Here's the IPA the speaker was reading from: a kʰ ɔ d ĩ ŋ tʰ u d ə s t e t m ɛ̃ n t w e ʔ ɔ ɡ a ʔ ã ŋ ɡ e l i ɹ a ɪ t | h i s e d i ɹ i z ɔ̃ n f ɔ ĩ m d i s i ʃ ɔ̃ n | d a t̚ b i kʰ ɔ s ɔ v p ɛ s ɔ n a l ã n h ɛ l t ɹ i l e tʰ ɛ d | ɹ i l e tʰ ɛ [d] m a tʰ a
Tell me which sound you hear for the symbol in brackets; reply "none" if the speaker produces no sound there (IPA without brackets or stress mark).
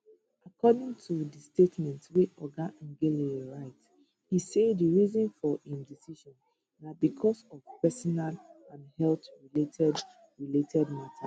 d